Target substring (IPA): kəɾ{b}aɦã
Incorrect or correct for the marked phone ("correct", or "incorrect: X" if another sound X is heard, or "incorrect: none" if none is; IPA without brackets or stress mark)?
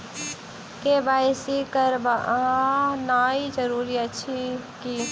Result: correct